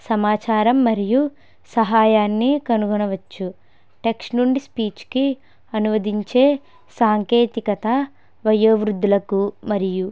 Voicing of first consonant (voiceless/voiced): voiceless